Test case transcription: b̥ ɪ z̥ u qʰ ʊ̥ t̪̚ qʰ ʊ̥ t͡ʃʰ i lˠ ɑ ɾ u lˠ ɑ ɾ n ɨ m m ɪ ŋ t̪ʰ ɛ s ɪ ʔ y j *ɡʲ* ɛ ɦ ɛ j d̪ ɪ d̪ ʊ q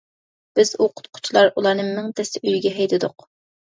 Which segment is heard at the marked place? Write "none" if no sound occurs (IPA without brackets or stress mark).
ɡʲ